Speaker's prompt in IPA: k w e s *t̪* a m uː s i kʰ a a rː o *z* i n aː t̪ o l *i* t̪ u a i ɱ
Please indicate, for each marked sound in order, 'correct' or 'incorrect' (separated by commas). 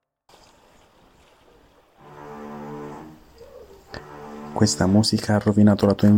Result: correct, incorrect, incorrect